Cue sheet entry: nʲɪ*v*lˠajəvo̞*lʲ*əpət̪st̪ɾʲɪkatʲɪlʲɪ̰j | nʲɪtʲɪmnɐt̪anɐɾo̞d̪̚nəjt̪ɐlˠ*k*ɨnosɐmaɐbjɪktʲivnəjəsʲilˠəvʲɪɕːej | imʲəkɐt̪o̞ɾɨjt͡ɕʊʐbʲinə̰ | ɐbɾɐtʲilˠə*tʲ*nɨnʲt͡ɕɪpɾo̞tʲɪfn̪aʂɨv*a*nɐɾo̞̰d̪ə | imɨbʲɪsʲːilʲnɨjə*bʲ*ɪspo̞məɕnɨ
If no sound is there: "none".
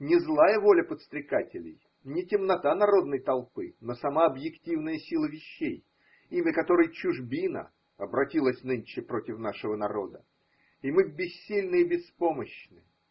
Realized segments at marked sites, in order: z, lʲ, p, sʲ, ə, bʲ

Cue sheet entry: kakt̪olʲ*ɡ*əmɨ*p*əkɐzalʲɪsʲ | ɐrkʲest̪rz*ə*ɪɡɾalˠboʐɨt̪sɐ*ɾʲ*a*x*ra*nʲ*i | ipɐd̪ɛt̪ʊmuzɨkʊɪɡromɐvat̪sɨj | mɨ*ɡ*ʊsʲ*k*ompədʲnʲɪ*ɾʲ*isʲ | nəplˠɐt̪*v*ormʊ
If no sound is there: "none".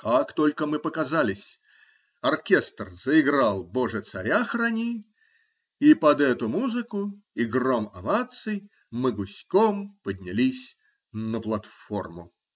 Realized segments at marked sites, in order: k, p, ə, ɾʲ, x, nʲ, ɡ, k, lʲ, f

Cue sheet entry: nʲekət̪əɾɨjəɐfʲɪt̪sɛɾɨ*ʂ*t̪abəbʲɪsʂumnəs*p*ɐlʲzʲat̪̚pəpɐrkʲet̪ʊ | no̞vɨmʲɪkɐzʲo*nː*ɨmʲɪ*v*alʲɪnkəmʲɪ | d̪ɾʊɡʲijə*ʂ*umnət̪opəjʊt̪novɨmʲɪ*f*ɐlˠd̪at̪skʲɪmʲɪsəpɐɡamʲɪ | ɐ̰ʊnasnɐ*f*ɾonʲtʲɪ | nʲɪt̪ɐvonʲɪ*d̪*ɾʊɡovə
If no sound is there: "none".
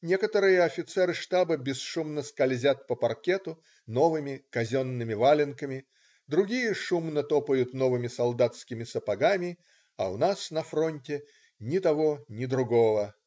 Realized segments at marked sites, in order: ʂ, k, nː, v, ʂ, s, f, d̪

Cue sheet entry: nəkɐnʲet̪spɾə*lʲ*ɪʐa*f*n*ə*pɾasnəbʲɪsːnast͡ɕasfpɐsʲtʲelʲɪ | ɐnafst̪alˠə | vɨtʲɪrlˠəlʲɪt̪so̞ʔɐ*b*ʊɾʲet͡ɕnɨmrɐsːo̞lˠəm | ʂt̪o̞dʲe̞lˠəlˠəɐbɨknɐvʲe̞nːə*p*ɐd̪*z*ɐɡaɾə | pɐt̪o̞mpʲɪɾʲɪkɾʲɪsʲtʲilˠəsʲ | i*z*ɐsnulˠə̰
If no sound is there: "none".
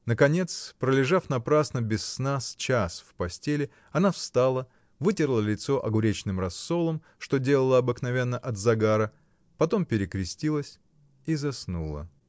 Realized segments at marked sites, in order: lʲ, f, ɐ, ɡ, ʔ, z, z

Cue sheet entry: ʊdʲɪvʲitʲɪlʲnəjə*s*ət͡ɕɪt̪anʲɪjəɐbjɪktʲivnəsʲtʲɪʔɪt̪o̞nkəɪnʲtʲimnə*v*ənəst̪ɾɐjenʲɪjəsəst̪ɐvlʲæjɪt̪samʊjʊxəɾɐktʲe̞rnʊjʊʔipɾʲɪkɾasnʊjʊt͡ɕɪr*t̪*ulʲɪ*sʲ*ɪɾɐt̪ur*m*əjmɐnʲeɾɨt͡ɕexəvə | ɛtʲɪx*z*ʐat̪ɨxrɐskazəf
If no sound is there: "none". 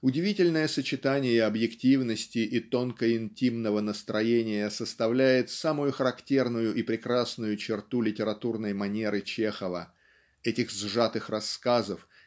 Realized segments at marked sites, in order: s, v, t̪, tʲ, n, z

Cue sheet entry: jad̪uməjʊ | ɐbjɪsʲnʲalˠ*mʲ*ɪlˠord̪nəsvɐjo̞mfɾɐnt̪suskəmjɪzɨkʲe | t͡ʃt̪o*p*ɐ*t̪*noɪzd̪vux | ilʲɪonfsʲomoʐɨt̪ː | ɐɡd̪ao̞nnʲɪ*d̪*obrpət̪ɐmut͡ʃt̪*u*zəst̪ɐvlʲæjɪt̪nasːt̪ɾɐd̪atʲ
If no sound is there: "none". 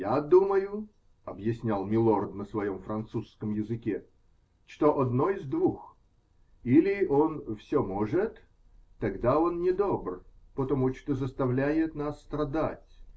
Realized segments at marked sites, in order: mʲ, ʔ, d̪, d̪, o

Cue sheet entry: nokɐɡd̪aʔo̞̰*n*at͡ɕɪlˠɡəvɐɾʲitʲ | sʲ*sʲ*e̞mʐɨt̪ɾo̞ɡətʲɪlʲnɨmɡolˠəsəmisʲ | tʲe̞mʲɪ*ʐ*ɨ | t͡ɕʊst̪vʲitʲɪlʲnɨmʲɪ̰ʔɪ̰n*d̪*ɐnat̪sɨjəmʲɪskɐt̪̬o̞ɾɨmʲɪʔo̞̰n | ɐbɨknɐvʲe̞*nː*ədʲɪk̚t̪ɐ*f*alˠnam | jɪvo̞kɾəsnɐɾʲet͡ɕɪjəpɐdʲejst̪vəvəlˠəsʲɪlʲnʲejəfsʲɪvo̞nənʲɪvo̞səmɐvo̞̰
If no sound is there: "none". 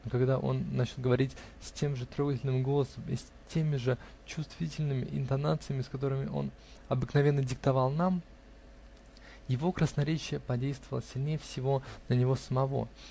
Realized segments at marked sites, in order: nː, tʲ, ʐ, t̪, nː, v

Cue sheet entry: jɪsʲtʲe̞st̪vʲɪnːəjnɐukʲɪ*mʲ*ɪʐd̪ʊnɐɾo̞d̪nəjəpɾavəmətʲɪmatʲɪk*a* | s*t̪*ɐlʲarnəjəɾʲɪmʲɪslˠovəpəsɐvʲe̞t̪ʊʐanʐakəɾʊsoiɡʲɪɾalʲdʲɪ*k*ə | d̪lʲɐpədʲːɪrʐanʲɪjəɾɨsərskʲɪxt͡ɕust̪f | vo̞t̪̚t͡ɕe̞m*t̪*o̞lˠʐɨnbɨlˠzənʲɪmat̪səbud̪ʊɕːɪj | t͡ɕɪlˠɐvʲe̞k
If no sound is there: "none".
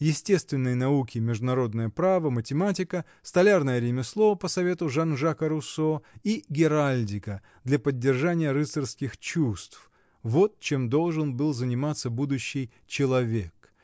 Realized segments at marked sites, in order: mʲ, ə, t̪, k, d̪

